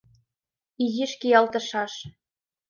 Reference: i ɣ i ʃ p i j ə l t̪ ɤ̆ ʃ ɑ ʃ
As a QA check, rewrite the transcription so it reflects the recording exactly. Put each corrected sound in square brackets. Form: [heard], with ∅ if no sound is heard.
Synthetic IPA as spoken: i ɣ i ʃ [k] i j [ɑ] l t̪ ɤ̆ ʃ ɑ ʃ